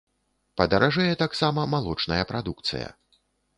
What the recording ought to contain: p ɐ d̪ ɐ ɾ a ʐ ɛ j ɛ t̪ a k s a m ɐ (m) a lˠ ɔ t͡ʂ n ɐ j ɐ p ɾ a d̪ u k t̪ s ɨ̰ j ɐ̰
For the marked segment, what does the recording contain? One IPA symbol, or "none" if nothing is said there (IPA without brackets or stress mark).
m